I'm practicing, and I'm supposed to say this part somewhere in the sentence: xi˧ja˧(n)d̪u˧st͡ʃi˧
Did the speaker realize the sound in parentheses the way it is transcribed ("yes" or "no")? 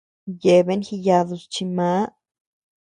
no